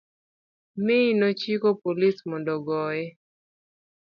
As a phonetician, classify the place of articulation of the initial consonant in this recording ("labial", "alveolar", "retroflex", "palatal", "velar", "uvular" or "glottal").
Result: labial